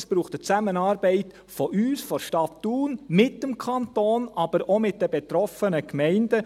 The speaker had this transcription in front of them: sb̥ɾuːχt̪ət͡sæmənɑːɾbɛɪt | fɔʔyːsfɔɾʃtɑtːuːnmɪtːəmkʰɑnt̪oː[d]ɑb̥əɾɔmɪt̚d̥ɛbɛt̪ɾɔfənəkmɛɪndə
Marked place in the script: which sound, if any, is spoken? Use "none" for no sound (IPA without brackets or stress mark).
n